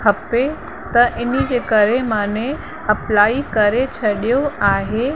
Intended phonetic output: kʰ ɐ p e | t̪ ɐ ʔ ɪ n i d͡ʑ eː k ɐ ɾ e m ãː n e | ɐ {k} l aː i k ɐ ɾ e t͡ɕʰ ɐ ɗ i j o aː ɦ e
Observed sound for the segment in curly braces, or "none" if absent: p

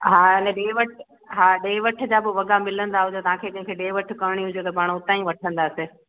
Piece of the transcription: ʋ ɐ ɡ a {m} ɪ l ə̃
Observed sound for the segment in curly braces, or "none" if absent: m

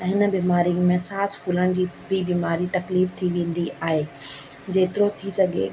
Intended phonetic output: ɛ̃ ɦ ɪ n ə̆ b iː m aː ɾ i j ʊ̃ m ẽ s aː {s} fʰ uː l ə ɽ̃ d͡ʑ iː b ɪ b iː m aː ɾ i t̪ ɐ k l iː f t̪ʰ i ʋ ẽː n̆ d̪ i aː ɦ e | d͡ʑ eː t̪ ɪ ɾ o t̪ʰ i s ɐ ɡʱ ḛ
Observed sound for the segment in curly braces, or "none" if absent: s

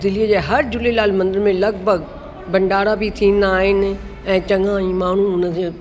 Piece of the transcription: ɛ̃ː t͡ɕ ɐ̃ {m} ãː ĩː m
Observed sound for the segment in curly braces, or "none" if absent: ŋ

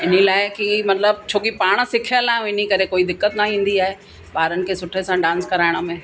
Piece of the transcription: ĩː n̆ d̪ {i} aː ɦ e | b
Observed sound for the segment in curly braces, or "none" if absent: i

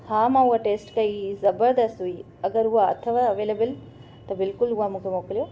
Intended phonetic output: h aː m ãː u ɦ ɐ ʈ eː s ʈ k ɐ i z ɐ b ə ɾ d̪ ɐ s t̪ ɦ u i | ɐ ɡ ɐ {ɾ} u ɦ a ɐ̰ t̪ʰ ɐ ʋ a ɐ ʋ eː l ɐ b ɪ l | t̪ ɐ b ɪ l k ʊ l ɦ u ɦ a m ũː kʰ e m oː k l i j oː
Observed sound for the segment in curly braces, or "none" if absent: ɾ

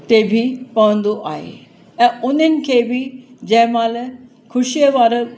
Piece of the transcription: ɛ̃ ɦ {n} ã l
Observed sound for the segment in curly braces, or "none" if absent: m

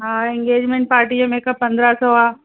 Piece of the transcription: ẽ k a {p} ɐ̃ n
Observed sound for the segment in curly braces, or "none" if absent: p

